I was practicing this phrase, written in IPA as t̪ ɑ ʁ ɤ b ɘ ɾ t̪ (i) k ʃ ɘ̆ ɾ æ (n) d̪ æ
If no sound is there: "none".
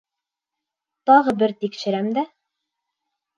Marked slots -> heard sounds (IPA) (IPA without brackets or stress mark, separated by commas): i, m